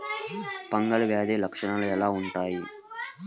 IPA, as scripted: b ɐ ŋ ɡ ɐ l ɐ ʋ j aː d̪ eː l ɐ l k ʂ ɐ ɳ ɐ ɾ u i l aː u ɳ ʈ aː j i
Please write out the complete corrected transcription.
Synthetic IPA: p ɐ ŋ ɡ ɐ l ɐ ʋ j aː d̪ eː l ɐ k ʂ ɐ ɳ ɐ l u ɛ l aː u ɳ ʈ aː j i